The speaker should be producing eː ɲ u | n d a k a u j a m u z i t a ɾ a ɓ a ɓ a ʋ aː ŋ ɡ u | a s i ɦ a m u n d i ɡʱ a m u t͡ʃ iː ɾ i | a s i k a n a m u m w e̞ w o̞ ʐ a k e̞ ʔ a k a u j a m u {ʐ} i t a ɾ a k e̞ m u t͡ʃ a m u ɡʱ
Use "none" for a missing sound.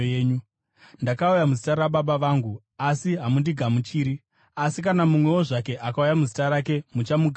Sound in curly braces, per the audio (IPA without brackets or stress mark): z